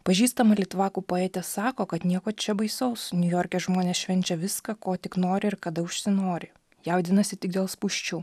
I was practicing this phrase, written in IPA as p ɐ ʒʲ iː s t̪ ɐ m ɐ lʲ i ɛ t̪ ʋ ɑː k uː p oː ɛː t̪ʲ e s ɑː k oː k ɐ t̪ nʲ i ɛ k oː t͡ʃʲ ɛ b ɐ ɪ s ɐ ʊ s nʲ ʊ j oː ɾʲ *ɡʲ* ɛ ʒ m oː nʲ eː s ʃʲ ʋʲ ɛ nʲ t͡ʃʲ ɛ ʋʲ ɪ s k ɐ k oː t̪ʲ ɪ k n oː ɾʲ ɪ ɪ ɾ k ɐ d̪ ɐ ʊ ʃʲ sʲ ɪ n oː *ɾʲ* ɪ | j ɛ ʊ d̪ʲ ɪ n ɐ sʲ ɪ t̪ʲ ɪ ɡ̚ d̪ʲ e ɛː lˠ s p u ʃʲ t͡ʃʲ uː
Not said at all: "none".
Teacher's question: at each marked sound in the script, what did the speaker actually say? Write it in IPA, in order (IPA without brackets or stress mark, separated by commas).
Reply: kʲ, ɾʲ